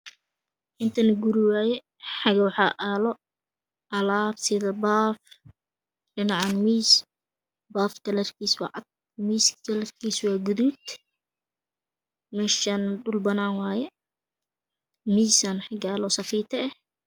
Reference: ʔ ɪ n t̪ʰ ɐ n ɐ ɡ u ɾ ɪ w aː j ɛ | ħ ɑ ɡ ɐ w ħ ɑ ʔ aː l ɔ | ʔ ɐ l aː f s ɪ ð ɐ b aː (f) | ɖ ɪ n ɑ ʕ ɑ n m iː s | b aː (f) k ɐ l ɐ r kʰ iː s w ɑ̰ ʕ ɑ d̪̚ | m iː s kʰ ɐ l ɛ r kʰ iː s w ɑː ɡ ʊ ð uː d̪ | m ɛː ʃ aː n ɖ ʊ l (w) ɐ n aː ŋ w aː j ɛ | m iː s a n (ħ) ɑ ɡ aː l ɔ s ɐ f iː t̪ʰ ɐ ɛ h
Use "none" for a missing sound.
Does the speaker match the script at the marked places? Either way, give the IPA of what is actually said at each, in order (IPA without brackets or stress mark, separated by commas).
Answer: f, f, b, ħ